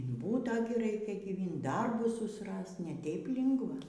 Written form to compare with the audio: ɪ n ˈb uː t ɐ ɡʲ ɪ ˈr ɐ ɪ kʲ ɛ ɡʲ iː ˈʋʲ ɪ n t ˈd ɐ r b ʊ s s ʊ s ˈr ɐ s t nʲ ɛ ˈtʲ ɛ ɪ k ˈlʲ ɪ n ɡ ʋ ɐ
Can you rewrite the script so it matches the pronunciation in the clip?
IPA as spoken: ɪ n ˈb uː t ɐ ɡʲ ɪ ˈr ɐ ɪ kʲ ɛ ɡʲ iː ˈʋʲ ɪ n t ˈd ɐ r b ʊ s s ʊ s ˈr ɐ s t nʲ ɛ ˈtʲ ɛ ɪ p ˈlʲ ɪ ŋ ɡ ʋ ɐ